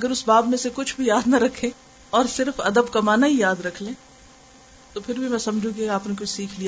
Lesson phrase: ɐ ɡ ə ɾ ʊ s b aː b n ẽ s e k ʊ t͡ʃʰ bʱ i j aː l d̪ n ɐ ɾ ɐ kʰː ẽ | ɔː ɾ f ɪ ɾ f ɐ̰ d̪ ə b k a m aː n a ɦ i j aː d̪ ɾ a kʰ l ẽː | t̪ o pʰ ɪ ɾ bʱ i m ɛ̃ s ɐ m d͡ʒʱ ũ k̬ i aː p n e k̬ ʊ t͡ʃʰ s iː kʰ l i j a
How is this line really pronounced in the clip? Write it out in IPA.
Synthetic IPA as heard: ɐ ɡ ə ɾ ʊ s b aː b m ẽ s e k ʊ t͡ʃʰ bʱ i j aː d̪ n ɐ ɾ ɐ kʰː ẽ | ɔː ɾ s ɪ ɾ f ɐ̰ d̪ ə b k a m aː n a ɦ i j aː d̪ ɾ ɐ kʰ l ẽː | t̪ o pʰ ɪ ɾ bʱ i m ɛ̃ s ɐ m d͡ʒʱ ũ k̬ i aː p n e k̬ ʊ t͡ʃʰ s iː kʰ l i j a